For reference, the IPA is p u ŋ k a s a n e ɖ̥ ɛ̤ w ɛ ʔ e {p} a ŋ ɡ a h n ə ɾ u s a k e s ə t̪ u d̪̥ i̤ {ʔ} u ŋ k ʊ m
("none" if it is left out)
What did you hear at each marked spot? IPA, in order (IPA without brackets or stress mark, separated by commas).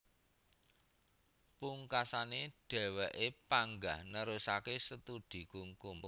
p, k